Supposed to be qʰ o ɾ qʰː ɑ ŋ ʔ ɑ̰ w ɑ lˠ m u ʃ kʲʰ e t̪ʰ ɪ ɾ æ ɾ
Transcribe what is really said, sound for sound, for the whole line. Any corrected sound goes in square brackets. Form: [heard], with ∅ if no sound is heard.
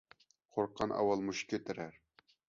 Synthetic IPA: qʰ o ɾ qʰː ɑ [n] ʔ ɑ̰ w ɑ lˠ m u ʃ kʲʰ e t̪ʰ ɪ ɾ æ ɾ